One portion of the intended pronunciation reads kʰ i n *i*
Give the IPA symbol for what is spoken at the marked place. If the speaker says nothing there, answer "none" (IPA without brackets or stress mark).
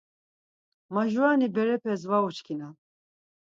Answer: a